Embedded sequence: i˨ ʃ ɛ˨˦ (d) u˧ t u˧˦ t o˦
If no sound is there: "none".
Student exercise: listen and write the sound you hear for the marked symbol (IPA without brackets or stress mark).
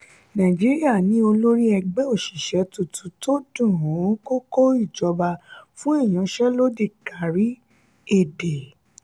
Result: t